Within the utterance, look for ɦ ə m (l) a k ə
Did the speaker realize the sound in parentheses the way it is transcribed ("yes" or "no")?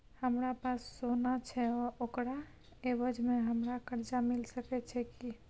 no